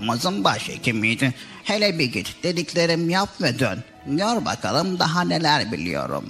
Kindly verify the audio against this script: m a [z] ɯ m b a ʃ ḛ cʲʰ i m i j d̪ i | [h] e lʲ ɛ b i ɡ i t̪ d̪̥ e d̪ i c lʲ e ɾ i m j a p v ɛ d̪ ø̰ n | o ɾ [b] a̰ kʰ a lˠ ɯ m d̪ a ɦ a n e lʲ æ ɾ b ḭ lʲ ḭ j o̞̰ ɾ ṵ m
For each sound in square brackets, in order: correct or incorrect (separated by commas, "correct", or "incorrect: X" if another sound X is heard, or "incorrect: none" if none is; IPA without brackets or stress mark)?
correct, correct, correct